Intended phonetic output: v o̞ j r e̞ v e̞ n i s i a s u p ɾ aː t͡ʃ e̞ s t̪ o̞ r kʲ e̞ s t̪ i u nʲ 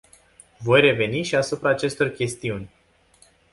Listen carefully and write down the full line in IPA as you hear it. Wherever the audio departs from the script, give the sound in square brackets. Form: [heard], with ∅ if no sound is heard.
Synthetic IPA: v o̞ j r e̞ v e̞ n i [ʃ] i a s u p ɾ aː t͡ʃ e̞ s t̪ o̞ r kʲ e̞ s t̪ i u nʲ